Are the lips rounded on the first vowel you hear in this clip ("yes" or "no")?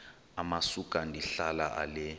no